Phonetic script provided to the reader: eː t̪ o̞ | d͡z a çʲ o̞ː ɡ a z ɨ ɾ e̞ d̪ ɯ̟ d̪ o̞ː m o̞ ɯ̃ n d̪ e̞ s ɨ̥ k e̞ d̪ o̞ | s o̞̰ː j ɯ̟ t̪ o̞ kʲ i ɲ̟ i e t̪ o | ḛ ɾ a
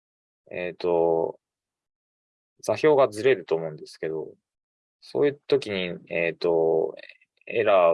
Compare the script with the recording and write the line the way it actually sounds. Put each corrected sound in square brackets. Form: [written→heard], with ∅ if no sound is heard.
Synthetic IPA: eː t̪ o̞ | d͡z a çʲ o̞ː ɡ a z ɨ ɾ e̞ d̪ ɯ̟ [d̪→t̪] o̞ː m o̞ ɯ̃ n d̪ e̞ s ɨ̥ k e̞ d̪ o̞ | s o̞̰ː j ɯ̟ t̪ o̞ kʲ i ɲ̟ i e t̪ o | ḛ ɾ a